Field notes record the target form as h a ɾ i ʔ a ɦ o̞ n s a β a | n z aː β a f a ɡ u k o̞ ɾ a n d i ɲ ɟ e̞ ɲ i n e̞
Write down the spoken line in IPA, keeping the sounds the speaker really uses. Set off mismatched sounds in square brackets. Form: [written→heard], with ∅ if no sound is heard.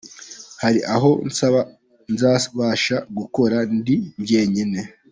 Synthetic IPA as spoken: h a ɾ i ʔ a ɦ o̞ n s a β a | n z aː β a [f→ʃ] a ɡ u k o̞ ɾ a n d i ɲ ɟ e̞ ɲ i n e̞